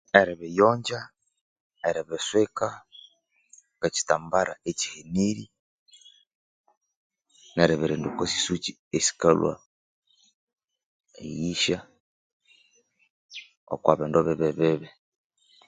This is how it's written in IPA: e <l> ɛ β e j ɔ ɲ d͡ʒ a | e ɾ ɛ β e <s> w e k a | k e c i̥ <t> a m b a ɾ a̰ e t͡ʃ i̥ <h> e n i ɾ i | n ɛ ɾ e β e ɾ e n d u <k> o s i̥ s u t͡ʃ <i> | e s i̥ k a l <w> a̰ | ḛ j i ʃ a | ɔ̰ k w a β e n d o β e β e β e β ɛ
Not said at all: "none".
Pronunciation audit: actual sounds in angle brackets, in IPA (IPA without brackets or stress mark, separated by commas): ɾ, s, t, h, k, i, w